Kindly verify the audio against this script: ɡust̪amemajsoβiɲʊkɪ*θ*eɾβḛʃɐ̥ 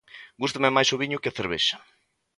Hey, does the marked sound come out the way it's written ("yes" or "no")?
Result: yes